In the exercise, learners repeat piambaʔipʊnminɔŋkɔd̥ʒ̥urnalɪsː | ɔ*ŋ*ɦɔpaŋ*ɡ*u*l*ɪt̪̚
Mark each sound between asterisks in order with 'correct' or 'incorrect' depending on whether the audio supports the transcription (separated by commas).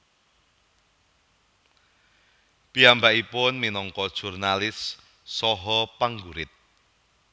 incorrect, correct, incorrect